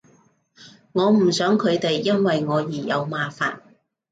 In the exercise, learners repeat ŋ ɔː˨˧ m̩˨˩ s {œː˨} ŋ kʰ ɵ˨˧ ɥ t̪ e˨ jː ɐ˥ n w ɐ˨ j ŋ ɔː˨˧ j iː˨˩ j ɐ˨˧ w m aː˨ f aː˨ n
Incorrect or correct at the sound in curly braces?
incorrect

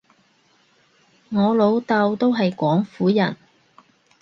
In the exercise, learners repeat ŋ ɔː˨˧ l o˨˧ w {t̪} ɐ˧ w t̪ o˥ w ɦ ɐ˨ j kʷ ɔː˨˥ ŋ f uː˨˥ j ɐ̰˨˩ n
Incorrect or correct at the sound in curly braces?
correct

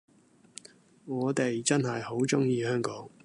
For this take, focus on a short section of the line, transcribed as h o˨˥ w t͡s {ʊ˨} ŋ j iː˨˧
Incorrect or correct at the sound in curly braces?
incorrect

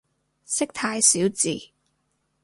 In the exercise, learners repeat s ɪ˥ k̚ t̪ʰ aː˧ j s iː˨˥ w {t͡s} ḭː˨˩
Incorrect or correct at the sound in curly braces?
correct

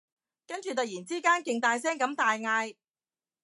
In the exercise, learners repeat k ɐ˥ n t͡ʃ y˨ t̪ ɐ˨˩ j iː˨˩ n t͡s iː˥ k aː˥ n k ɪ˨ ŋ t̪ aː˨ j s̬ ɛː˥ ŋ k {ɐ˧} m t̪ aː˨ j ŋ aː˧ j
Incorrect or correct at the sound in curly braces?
incorrect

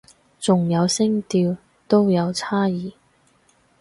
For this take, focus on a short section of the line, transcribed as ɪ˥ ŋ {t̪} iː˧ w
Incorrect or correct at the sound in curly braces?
correct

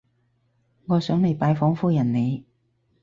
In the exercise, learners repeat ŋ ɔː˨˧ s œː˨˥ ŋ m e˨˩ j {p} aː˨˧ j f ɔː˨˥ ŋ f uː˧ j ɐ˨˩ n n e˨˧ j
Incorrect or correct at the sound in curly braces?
correct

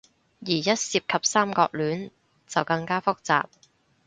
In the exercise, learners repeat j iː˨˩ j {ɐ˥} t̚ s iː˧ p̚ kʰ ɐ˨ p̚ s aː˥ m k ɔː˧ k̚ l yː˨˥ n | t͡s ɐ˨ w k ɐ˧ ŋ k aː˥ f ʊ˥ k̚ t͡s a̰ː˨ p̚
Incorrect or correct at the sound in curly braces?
correct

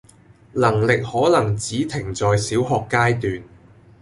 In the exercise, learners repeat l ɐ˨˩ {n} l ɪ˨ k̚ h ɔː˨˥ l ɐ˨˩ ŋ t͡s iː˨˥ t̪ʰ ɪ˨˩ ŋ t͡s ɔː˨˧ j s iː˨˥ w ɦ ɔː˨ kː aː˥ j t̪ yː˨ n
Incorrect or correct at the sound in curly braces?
incorrect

